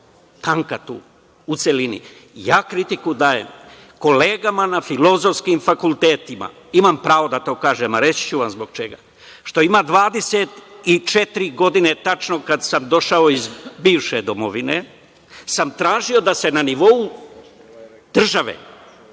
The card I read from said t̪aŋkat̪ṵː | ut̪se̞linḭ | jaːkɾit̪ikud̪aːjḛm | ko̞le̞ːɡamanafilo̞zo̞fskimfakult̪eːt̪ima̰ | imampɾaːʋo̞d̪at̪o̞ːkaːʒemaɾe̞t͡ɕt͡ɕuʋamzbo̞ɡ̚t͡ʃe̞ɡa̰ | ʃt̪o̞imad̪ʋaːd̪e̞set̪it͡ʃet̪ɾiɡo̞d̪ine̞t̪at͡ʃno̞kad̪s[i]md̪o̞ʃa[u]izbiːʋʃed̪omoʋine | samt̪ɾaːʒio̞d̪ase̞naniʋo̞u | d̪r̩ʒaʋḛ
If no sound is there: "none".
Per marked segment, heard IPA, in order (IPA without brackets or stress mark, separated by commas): a, o